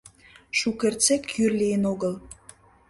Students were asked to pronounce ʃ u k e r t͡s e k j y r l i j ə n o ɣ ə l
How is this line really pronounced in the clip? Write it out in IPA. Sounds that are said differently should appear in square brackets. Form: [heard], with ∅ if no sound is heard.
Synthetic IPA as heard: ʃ u k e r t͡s e k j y r l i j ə n o ɣ ə l